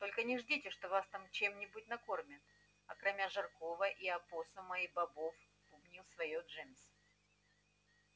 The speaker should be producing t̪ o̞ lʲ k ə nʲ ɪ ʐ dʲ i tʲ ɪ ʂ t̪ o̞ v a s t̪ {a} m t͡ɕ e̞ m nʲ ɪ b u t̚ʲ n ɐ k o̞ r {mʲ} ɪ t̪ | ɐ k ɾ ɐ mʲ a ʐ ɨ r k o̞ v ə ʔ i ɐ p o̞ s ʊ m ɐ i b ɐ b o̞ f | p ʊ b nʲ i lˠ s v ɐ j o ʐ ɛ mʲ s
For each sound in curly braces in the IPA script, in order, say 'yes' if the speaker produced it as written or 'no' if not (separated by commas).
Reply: yes, yes